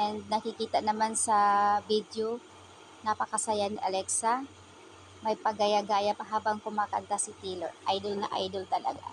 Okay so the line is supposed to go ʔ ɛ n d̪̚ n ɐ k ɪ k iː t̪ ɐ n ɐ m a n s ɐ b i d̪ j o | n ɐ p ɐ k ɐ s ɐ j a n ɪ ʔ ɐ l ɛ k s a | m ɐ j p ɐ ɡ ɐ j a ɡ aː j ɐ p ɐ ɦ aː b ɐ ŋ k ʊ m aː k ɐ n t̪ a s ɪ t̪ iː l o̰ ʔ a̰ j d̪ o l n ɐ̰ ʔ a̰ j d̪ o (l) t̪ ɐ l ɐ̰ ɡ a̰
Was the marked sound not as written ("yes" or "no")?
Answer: no